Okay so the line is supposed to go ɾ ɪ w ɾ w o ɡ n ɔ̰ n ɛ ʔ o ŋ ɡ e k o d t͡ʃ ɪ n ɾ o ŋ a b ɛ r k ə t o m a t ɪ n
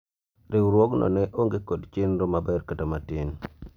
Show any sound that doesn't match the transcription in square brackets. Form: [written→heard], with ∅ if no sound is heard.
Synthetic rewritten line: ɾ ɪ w ɾ w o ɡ n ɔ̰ n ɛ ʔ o ŋ ɡ e k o d t͡ʃ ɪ n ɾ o [ŋ→m] a b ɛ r k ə t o m a t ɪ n